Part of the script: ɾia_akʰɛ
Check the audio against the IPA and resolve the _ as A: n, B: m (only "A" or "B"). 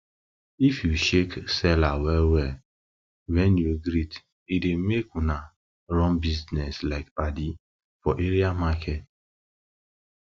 B